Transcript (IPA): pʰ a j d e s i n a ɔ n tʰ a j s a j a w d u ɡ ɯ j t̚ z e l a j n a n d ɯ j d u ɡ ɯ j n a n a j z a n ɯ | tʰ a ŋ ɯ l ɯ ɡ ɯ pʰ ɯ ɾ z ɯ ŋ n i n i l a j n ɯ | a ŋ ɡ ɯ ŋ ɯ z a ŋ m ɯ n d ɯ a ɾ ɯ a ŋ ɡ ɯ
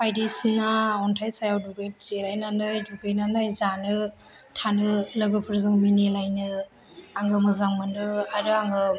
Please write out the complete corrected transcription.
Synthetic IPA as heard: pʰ a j d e s i n a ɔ n tʰ a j s a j a w d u ɡ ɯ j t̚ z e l a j n a n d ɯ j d u ɡ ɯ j n a n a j z a n ɯ | tʰ a n ɯ l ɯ ɡ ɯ pʰ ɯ ɾ z ɯ ŋ m i n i l a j n ɯ | a ŋ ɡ ɯ m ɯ z a ŋ m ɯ n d ɯ a ɾ ɯ a ŋ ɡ ɯ

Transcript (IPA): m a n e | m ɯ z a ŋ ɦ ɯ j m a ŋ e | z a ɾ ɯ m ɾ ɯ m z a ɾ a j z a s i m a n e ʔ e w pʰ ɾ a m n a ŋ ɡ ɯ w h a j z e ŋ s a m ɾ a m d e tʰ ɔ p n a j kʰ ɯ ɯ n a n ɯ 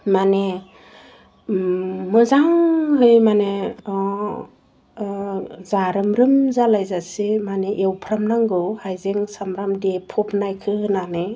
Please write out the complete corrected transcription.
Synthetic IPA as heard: m a n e | m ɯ z a ŋ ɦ ɯ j m a n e | z a ɾ ɯ m ɾ ɯ m z a l a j z a s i m a n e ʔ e w pʰ ɾ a m n a ŋ ɡ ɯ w h a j z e ŋ s a m ɾ a m d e pʰ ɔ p n a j kʰ ɯ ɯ n a n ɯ

